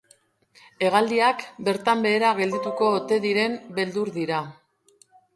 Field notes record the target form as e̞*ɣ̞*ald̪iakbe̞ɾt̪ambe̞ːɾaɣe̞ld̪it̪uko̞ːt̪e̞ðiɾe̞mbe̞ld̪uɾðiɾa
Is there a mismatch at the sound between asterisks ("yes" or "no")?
no